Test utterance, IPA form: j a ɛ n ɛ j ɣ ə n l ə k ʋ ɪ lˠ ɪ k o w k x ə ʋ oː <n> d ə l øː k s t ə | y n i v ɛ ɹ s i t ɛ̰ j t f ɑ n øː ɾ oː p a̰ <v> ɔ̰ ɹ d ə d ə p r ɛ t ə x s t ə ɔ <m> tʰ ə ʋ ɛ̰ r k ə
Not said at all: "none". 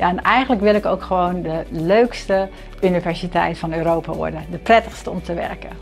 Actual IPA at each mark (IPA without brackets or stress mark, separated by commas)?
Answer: n, ʋ, m